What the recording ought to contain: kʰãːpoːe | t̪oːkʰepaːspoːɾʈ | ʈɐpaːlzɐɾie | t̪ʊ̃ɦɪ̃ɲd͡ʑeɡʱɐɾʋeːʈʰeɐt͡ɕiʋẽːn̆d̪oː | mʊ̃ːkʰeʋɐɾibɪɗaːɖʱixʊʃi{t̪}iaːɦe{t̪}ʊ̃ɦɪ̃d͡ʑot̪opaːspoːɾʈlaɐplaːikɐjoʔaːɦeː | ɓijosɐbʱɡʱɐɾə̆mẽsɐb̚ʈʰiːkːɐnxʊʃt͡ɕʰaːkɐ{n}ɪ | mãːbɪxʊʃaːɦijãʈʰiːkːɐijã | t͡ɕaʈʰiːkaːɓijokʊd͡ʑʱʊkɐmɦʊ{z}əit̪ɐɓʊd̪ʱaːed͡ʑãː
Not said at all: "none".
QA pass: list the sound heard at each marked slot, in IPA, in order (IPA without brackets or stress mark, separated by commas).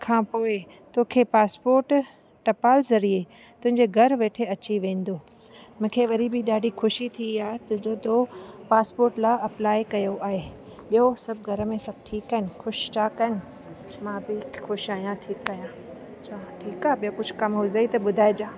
t̪ʰ, t̪, n, z